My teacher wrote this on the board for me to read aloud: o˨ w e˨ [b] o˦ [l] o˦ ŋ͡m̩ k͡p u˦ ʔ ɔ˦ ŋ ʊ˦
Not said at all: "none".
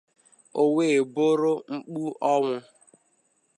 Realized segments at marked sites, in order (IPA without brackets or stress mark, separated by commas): b, ɾ